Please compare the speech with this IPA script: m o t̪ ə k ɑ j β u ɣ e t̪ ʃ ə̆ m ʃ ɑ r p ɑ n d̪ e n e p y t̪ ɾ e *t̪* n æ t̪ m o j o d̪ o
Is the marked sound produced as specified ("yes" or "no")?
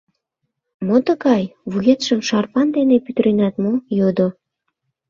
no